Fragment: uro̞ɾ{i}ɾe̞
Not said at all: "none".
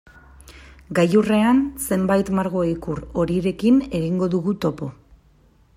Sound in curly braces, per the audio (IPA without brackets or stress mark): i